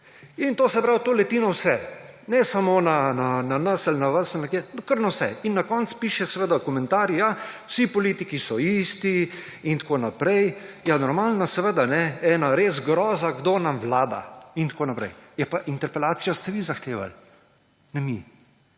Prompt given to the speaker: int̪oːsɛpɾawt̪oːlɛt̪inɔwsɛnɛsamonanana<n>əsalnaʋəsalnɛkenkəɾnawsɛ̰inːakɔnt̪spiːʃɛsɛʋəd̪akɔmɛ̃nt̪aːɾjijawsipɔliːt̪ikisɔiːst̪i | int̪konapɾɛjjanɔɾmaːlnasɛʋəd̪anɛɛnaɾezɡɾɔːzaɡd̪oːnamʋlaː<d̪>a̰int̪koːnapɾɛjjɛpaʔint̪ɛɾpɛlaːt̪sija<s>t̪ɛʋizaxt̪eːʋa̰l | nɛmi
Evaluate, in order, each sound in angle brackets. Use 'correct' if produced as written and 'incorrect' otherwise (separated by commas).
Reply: correct, correct, correct